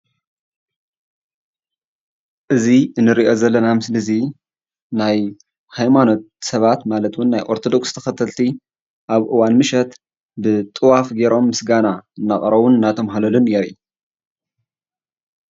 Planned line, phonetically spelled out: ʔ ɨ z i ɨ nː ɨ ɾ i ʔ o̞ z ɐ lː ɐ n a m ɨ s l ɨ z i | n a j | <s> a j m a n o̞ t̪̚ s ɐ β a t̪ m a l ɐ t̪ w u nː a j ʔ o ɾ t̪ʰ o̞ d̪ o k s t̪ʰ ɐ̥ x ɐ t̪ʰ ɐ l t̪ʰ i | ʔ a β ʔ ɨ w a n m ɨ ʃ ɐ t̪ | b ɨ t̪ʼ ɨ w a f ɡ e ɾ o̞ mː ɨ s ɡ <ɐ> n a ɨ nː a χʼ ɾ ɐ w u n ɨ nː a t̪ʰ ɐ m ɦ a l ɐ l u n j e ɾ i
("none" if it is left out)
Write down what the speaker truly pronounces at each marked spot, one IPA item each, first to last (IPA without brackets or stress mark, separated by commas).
h, a